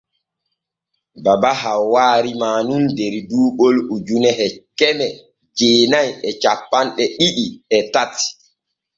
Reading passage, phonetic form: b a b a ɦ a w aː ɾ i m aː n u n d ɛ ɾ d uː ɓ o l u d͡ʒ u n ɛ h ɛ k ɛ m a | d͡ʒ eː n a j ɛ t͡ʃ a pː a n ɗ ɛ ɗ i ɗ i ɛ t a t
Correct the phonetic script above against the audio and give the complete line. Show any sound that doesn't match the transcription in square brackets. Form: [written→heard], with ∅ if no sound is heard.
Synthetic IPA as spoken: b a b a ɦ a w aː ɾ i m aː n u n d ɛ ɾ d uː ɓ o l u d͡ʒ u n ɛ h ɛ k ɛ m [a→ɛ] | d͡ʒ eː n a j ɛ t͡ʃ a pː a n ɗ ɛ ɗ i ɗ i ɛ t a t